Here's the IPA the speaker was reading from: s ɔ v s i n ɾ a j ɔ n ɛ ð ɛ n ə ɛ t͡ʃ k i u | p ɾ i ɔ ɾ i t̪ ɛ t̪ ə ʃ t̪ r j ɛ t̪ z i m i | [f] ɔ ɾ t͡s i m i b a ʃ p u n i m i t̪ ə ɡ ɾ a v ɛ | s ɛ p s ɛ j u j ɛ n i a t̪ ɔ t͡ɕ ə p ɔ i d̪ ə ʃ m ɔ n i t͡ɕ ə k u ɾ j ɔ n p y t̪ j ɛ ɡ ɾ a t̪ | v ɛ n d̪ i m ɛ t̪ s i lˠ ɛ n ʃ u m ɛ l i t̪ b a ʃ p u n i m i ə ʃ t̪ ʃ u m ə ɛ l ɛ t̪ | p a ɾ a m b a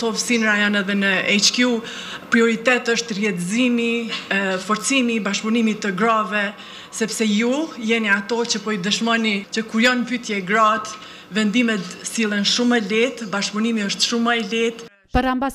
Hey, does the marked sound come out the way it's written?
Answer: yes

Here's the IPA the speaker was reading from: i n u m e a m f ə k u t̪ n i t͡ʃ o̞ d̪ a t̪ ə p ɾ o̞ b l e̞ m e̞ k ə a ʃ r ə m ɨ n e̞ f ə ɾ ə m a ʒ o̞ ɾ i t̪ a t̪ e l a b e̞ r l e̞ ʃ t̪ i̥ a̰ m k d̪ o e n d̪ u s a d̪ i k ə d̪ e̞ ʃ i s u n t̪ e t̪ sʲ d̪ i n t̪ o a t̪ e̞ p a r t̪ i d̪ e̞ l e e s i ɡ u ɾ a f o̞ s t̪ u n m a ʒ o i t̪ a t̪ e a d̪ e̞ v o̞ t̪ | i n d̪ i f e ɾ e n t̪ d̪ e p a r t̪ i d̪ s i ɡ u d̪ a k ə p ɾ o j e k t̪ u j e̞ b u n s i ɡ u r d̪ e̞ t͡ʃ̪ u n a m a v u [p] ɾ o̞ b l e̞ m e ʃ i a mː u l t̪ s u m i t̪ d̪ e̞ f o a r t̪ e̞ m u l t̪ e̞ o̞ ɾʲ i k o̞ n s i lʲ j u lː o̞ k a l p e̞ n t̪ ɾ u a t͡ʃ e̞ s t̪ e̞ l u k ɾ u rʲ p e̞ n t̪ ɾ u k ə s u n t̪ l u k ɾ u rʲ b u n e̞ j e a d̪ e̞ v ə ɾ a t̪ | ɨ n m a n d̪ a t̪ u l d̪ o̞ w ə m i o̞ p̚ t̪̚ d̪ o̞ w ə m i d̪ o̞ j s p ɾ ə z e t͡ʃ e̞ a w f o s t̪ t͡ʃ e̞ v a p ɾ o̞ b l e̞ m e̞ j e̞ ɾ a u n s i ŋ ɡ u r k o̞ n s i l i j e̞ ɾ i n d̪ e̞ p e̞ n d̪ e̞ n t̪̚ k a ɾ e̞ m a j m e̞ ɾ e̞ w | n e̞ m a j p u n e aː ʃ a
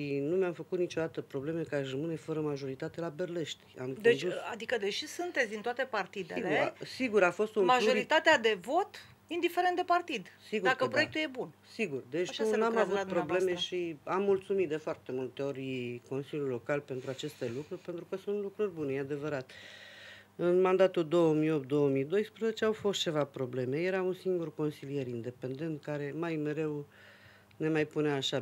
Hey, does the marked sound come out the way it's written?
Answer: yes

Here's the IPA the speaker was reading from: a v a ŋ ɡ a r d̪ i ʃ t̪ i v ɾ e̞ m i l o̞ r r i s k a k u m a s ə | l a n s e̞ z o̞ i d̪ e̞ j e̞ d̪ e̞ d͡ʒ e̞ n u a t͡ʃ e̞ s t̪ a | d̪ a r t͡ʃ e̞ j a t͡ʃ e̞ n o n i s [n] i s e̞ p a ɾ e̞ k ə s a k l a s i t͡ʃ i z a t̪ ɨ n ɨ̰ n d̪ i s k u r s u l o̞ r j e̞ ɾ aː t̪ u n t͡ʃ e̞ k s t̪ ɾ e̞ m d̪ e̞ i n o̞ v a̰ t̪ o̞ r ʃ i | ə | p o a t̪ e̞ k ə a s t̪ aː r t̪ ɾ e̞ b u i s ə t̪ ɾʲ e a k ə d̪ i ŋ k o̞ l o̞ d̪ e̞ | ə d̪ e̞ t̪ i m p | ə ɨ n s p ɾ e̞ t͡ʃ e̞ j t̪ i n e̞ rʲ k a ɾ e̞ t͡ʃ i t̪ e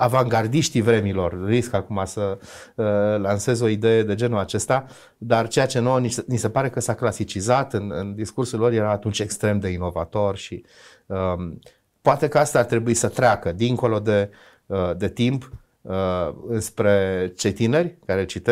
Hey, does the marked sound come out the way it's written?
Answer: yes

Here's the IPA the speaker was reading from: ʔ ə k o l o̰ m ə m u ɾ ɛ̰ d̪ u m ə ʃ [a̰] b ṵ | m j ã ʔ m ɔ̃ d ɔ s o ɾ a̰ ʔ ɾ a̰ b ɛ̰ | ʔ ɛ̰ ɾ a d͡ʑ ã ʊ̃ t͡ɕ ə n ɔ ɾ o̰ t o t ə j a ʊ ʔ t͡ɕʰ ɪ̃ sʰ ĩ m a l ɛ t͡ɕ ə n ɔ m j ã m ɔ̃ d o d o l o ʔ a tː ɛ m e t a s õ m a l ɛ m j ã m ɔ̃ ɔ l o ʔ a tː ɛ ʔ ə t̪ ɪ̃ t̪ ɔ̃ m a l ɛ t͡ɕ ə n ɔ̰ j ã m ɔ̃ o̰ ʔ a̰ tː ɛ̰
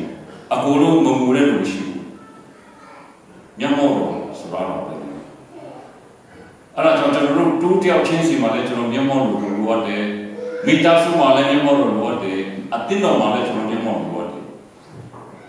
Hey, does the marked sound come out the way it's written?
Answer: no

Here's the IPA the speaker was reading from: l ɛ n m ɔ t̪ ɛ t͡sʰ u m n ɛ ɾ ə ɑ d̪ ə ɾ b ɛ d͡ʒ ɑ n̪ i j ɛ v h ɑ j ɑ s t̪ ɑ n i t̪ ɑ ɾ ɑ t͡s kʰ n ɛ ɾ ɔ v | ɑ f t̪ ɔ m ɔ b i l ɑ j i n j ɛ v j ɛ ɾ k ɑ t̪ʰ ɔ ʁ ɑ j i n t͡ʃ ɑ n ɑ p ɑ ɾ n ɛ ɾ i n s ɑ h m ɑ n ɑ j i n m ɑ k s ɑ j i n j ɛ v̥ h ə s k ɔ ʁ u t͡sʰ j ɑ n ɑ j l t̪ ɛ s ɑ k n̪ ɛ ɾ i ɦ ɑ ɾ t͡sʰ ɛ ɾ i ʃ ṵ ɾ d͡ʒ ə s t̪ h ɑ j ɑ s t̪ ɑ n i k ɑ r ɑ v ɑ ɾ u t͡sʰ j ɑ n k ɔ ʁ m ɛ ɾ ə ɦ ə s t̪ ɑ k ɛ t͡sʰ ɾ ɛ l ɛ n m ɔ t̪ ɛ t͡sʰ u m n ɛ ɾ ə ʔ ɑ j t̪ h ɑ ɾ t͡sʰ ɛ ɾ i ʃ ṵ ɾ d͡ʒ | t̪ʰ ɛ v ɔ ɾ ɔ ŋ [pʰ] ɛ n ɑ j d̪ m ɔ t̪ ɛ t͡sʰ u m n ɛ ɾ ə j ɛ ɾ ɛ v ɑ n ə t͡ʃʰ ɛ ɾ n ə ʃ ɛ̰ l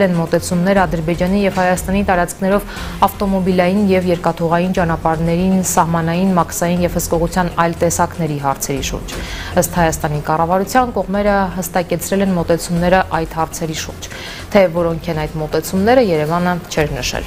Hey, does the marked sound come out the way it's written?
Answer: no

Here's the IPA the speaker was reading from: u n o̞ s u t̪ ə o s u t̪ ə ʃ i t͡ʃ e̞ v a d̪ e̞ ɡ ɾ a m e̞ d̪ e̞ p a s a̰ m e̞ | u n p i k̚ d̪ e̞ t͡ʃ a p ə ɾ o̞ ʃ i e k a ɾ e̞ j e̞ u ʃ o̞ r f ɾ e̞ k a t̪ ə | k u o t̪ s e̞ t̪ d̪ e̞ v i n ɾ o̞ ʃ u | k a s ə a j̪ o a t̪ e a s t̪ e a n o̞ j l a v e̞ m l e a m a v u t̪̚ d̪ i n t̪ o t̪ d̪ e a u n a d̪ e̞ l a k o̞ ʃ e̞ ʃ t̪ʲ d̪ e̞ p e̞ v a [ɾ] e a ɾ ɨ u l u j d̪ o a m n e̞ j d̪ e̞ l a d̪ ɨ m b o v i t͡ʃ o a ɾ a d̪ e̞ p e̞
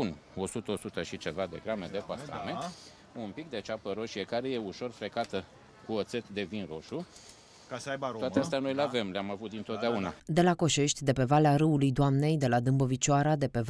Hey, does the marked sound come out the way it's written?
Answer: no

